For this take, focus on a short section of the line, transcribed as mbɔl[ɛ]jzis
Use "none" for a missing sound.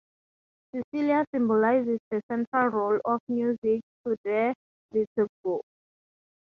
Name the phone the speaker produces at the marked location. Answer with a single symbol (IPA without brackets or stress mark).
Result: a